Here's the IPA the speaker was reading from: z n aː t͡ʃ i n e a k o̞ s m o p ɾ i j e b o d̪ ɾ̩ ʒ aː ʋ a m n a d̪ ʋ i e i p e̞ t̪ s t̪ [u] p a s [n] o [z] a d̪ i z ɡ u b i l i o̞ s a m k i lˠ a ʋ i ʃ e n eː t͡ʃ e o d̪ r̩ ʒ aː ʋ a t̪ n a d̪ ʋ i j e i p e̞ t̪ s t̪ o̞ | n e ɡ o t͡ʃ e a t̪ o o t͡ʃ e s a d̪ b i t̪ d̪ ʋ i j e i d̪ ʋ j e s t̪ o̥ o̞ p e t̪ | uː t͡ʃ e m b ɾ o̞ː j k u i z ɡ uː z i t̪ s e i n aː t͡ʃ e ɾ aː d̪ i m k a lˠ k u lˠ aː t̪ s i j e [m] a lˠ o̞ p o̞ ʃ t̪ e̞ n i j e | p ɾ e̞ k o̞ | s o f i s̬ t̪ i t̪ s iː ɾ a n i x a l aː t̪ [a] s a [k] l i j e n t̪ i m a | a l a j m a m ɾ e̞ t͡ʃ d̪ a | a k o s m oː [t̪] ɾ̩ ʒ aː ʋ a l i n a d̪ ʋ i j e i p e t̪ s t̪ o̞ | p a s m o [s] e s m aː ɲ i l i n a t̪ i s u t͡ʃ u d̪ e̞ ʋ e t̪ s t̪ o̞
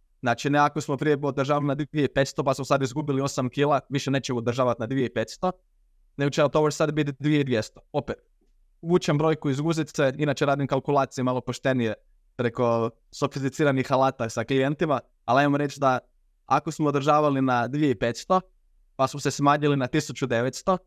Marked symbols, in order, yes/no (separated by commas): no, no, no, yes, yes, yes, no, yes